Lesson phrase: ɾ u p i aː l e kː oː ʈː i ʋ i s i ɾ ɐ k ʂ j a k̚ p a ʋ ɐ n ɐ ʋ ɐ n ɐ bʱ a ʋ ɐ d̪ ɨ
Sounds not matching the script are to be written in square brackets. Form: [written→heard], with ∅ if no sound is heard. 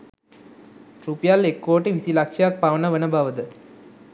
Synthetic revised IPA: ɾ u p [i→j] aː l e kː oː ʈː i ʋ i s i [ɾ→l] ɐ k ʂ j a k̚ p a ʋ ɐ n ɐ ʋ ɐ n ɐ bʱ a ʋ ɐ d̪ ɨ